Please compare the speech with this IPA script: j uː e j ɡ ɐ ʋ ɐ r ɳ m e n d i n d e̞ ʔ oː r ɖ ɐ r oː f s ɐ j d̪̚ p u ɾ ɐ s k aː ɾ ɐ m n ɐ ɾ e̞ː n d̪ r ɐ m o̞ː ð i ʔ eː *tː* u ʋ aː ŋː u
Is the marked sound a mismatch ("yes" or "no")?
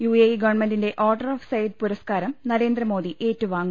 no